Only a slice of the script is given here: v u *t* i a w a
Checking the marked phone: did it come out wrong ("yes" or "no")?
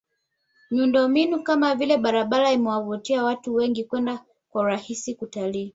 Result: no